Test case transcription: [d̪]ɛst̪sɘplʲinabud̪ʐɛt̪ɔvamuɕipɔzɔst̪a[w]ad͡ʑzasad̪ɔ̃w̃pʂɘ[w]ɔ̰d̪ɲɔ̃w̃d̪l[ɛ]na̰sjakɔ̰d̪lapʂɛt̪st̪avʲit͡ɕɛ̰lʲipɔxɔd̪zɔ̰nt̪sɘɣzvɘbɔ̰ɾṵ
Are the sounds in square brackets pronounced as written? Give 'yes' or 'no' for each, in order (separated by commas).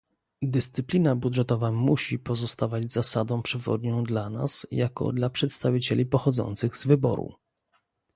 yes, no, no, no